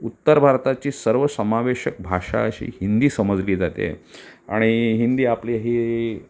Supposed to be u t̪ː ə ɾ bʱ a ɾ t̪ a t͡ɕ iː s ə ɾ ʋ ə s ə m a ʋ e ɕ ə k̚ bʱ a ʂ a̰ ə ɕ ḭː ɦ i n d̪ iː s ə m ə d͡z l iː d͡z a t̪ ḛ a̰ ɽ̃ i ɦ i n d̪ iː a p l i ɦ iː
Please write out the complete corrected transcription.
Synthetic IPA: u t̪ː ə ɾ bʱ a ɾ t̪ a t͡ɕ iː s ə ɾ ʋ ə s ə m a ʋ e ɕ ə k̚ bʱ a ʂ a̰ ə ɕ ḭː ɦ i n d̪ iː s ə m ə d͡z l iː d͡z a t̪ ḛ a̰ ɽ̃ i ɦ i n d̪ iː a p l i ɦ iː

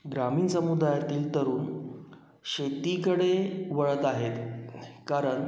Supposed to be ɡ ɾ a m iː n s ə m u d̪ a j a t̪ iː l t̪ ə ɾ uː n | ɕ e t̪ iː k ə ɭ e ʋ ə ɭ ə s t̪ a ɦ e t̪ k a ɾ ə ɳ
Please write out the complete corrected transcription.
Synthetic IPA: ɡ ɾ a m iː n s ə m u d̪ a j a t̪ iː l t̪ ə ɾ uː n | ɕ e t̪ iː k ə ɽ e ʋ ə ɭ ə t̪ a ɦ e t̪ k a ɾ ə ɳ

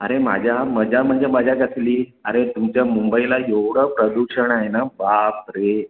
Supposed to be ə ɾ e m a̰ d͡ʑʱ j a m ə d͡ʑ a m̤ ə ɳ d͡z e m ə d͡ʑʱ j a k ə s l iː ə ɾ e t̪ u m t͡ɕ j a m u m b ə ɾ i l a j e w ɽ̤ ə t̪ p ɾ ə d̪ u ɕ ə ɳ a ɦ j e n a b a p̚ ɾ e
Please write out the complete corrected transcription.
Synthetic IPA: ə ɾ e m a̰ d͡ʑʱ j a m ə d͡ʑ a m̤ ə ɳ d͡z e m ə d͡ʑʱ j a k ə s l iː ə ɾ e t̪ u m t͡ɕ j a m u m b ə i l a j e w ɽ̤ ə p ɾ ə d̪ u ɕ ə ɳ a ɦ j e n a b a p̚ ɾ e

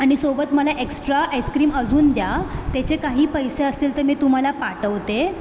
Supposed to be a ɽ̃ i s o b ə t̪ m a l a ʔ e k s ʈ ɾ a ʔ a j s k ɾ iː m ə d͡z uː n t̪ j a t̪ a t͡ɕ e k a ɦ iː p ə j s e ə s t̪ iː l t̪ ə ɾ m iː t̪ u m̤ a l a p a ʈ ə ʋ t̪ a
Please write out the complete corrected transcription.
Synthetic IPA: a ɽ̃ i s o b ə t̪ m ə l a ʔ e k s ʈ ɾ a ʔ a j s k ɾ iː m ə d͡z uː n d̪ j a t̪ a t͡ɕ e k a ɦ iː p ə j s e ə s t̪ iː l t̪ ə ɾ m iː t̪ u m̤ a l a p a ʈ ə ʋ t̪ e

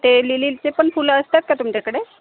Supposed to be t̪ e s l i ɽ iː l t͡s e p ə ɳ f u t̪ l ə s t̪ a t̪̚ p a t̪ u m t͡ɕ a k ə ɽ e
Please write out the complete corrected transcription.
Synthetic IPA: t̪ e l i l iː l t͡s e p ə ɳ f u l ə s t̪ a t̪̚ k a t̪ u m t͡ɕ a k ə ɽ e

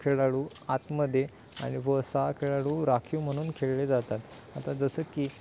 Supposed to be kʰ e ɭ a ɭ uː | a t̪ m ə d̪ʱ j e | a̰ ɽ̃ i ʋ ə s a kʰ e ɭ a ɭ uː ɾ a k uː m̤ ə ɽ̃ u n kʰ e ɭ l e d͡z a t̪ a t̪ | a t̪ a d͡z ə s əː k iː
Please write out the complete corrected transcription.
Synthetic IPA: kʰ e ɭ a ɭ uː | a t̪ m ə d̪ʱ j e | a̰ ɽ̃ i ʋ ə s a kʰ e ɭ a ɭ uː ɾ a kʰ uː m̤ ə ɽ̃ uː n kʰ e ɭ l e d͡z a t̪ a t̪ | a t̪ a d͡z ə s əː k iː

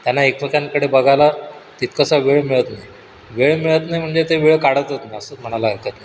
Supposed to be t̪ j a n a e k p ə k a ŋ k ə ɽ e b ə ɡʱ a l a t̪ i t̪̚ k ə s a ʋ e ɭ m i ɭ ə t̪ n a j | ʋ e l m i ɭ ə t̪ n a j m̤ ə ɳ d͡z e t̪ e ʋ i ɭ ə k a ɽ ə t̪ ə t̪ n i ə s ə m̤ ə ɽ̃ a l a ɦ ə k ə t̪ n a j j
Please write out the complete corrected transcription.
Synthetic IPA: t̪ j a n a e k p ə k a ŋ k ə ɽ e b ə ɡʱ a l a t̪ i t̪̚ k ə s a ʋ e ɭ m i ɭ ə t̪ n a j | ʋ e ɭ m i ɭ ə t̪ n a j m̤ ə ɳ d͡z e t̪ e ʋ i ɭ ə k a ɽ ə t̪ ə t̪ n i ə s ə m̤ ə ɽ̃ a l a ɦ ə k ə t̪ n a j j

